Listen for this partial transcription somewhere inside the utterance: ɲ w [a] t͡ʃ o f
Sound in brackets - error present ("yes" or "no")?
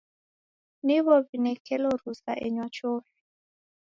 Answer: no